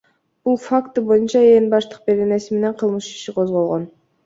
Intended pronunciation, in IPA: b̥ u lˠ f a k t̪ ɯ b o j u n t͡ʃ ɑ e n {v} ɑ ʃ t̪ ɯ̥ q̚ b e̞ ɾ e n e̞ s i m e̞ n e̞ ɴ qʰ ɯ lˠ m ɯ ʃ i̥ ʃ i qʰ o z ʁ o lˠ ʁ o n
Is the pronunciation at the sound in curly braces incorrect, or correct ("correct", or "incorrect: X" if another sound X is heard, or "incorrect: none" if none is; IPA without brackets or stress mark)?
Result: incorrect: b